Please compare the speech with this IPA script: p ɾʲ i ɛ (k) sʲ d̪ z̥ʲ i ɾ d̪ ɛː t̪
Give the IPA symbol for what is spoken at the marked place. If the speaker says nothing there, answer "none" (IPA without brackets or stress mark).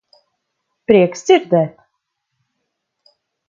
k